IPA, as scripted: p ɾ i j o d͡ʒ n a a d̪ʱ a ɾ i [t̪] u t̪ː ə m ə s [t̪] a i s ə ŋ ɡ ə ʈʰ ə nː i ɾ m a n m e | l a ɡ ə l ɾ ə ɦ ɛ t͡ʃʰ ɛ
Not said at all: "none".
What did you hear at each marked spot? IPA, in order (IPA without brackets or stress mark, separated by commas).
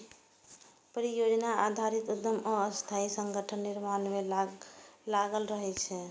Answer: t̪, t̪ʰ